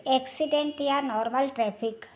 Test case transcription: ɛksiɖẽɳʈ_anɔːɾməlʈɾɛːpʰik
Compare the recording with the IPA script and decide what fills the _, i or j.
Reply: j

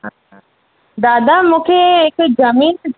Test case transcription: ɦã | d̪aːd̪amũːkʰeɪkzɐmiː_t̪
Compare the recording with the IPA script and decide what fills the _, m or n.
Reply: n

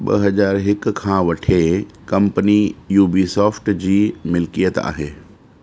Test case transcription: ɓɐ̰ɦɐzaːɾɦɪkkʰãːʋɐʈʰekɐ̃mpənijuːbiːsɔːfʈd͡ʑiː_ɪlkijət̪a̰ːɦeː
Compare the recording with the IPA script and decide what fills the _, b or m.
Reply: m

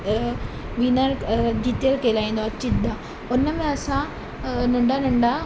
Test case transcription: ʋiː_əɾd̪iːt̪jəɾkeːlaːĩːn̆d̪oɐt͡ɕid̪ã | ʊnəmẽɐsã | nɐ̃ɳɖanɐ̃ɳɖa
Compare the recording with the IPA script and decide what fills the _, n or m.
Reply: n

